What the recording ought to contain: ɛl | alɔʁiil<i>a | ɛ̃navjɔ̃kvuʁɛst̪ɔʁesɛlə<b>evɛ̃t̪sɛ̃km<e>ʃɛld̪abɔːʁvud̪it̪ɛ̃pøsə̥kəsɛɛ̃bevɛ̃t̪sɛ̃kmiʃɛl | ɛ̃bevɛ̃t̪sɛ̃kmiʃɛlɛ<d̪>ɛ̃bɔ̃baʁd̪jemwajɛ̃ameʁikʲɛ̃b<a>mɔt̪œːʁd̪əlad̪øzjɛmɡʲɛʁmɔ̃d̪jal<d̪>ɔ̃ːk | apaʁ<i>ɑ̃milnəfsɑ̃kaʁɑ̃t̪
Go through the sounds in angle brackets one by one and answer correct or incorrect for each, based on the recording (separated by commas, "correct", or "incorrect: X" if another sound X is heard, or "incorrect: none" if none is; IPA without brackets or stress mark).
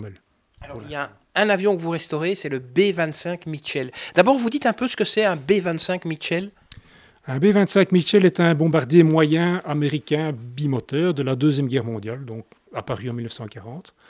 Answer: incorrect: j, correct, incorrect: i, incorrect: t̪, incorrect: i, correct, incorrect: y